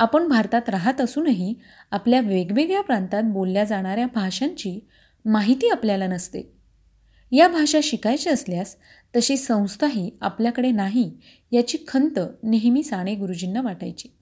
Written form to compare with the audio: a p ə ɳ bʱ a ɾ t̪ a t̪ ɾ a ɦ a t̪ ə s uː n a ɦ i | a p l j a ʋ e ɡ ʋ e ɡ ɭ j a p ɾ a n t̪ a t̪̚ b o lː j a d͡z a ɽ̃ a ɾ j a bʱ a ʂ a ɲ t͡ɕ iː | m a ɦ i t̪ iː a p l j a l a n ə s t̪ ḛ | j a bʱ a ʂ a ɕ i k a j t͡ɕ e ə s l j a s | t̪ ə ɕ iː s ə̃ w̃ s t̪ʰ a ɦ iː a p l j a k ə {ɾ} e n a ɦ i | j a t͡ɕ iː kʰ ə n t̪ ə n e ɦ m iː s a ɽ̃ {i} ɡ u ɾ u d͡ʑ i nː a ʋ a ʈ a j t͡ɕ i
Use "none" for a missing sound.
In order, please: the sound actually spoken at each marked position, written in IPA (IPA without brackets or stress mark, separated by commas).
ɽ, e